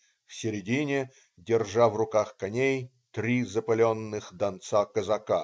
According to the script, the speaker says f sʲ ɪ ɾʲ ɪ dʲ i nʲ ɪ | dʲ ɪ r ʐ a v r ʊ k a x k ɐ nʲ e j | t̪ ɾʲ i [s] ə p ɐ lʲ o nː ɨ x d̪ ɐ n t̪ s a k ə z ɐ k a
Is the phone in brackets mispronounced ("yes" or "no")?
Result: yes